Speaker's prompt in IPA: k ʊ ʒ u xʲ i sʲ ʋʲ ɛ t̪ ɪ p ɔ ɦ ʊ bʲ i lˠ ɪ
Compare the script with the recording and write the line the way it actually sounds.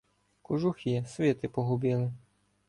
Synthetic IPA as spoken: k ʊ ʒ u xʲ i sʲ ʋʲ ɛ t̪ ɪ p ɔ ɦ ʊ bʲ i lˠ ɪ